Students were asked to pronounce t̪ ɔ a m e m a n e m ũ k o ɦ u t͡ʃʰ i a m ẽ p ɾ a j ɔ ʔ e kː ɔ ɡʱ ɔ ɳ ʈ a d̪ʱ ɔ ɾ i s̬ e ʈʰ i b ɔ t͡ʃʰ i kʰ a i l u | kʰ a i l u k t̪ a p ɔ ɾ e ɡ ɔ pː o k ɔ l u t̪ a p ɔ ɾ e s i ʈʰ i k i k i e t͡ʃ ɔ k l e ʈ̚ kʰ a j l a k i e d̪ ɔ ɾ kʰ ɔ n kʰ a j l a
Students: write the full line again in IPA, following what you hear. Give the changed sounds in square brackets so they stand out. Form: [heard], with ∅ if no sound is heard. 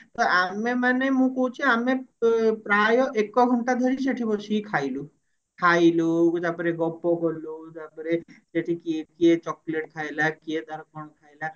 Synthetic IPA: t̪ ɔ a m e m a n e m ũ k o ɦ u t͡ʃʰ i a m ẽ p ɾ a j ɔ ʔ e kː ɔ ɡʱ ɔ ɳ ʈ a d̪ʱ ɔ ɾ i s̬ e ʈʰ i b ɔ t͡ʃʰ i kʰ a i l u | kʰ a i l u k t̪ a p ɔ ɾ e ɡ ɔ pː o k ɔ l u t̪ a p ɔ ɾ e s [e] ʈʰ i k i k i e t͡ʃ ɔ k l e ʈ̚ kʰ a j l a k i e d̪ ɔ ɾ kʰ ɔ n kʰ a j l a